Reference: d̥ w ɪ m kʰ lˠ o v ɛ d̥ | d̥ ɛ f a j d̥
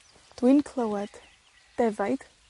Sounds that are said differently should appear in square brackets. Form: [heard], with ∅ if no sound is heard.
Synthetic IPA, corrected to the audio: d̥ w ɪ [n] kʰ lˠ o [w] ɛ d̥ | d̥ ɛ [v] a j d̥